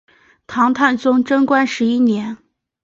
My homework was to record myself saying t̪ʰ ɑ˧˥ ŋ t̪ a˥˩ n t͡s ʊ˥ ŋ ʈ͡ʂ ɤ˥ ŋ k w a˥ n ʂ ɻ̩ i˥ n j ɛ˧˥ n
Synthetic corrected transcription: t̪ʰ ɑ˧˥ ŋ t̪ʰ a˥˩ n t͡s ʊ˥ ŋ ʈ͡ʂ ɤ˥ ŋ k w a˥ n ʂ ɻ̩ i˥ n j ɛ˧˥ n